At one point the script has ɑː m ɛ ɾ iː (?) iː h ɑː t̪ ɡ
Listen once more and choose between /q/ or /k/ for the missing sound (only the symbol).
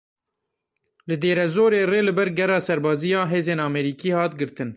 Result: k